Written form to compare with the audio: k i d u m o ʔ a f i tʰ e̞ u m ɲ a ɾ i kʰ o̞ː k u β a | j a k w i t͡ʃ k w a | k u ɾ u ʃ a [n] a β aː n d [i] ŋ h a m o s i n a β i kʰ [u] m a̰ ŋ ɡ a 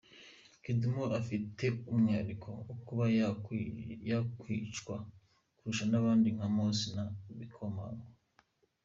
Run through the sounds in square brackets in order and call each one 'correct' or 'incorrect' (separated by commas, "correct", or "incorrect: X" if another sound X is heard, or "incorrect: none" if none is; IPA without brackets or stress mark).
correct, correct, incorrect: o